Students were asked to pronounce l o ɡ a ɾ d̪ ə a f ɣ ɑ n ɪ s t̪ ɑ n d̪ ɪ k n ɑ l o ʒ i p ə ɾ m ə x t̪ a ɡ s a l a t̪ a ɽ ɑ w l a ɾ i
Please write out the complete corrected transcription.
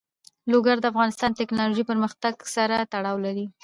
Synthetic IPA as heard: l o ɡ a ɾ d̪ ə a f ɣ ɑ n ɪ s t̪ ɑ n t̪ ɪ k n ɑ l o ʒ i p ə ɾ m ə x t̪ a ɡ s a ɾ a t̪ a ɽ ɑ w l a ɾ i